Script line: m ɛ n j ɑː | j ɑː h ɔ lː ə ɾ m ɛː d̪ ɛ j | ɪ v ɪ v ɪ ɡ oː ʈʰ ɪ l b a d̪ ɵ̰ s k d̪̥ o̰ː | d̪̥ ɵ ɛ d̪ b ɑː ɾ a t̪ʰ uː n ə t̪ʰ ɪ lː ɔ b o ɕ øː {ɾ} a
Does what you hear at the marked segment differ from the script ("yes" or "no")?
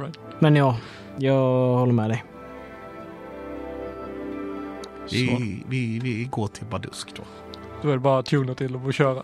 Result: no